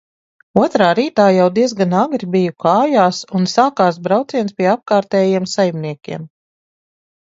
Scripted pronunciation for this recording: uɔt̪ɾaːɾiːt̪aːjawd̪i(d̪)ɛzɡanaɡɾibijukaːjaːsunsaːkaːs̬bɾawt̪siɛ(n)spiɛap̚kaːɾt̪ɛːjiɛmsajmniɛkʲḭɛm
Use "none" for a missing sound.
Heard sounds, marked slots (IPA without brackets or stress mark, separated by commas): none, n